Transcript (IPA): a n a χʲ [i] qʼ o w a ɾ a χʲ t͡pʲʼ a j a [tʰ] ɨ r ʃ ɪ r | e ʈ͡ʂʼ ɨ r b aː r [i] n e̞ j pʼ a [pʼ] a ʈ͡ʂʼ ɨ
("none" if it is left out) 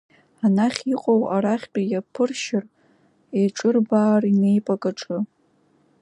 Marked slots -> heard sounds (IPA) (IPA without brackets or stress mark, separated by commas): i, pʰ, i, kʼ